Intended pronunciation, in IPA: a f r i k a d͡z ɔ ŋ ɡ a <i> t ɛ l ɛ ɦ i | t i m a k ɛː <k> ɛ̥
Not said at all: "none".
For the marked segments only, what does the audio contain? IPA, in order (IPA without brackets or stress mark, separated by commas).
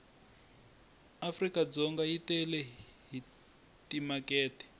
i, t